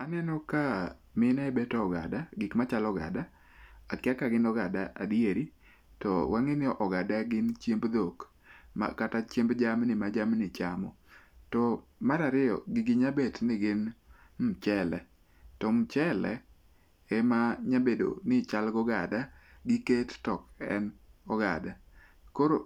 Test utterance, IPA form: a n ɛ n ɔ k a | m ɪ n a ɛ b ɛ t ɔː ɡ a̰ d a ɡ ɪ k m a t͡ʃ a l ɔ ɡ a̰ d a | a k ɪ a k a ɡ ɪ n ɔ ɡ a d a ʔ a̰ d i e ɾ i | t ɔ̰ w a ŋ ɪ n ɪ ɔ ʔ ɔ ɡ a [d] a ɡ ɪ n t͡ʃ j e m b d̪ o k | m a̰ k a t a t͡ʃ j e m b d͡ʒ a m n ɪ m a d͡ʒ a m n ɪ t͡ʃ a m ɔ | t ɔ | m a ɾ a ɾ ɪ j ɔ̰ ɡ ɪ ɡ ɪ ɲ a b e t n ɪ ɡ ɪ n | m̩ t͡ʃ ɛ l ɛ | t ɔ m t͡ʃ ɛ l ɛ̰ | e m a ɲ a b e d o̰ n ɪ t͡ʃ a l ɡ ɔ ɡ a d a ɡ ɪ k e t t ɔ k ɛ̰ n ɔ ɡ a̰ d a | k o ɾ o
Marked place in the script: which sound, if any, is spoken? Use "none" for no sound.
d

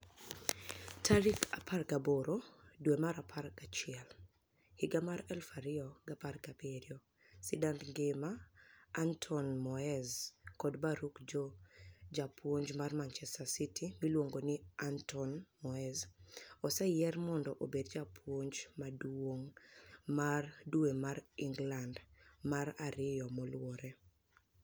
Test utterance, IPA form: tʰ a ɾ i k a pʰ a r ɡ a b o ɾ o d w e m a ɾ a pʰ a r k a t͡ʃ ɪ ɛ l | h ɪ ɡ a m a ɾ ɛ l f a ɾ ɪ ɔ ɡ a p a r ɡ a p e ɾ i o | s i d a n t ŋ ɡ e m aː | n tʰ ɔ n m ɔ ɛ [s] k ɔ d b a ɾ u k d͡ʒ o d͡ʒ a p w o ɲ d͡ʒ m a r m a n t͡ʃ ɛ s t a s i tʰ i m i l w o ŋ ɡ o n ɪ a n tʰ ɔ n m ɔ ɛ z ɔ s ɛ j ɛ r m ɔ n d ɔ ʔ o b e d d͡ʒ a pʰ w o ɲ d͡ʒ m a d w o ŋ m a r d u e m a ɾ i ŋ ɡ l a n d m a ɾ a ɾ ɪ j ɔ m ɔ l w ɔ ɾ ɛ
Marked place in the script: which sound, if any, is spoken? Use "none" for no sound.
z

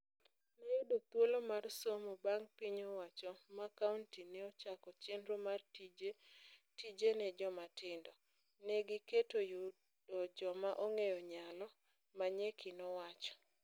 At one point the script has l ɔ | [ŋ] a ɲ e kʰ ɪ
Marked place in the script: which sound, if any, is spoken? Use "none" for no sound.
m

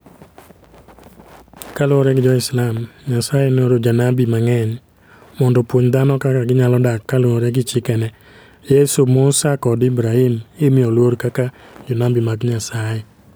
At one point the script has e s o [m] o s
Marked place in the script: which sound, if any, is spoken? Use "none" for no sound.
m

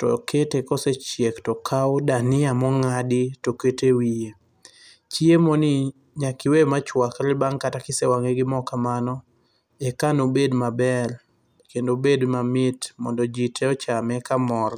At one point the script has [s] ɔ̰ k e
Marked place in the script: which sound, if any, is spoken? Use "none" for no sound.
t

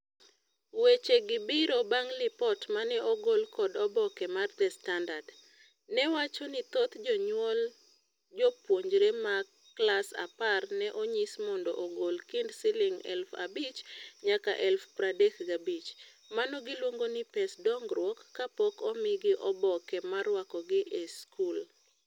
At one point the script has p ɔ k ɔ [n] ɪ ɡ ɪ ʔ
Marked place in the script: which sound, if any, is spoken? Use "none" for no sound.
m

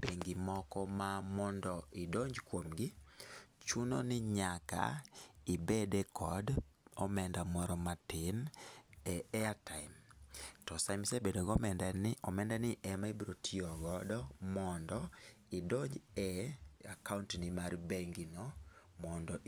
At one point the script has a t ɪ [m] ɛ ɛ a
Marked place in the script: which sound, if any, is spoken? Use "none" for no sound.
n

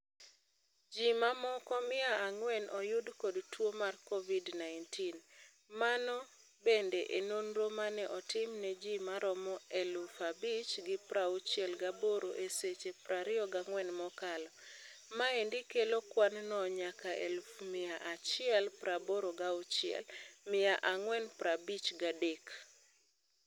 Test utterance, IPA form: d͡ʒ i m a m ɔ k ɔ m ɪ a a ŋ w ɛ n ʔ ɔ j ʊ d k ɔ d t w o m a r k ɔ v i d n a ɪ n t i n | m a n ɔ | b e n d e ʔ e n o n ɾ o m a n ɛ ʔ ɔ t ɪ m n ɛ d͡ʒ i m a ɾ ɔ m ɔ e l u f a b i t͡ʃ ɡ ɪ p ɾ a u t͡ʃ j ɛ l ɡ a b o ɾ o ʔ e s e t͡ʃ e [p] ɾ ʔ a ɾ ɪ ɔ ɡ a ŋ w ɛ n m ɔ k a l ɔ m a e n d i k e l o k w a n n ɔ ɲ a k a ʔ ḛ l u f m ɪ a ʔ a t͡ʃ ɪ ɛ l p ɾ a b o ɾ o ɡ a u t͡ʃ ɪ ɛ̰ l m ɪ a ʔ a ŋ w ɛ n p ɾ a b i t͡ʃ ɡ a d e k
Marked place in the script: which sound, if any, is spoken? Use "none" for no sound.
p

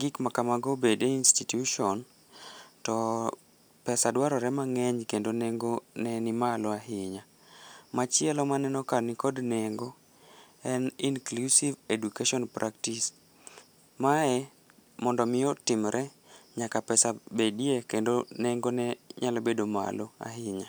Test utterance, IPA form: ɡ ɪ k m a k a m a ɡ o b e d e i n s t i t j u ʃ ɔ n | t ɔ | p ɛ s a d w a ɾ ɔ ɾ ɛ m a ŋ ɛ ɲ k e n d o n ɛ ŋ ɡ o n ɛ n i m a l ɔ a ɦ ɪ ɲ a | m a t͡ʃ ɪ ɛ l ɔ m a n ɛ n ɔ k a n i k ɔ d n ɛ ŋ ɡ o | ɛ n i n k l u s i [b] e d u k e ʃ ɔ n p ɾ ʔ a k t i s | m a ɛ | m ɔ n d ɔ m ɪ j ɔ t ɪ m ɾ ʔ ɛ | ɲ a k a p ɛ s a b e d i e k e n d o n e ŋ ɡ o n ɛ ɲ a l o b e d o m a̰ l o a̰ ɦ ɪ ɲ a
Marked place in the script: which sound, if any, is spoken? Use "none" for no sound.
v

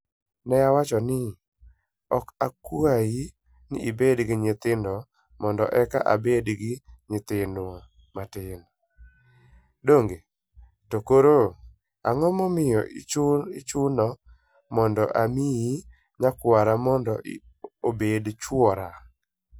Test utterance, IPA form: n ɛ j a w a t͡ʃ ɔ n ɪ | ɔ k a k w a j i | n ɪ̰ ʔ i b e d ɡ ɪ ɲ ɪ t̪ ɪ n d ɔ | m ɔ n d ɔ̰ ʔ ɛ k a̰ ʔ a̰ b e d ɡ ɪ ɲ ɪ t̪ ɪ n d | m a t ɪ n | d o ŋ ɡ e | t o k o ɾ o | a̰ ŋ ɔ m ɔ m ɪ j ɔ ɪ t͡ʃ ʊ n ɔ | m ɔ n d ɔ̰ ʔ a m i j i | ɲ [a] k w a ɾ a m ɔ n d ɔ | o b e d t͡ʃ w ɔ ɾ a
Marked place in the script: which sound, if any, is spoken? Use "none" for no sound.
a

